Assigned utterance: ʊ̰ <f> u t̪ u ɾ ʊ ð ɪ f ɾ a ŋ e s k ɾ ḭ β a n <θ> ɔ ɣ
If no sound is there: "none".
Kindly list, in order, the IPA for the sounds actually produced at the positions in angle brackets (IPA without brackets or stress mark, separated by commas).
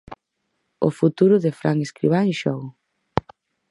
f, ʃ